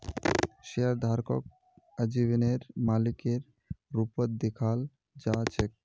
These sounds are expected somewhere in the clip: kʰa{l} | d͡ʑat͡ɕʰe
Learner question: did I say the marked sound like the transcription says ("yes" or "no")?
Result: yes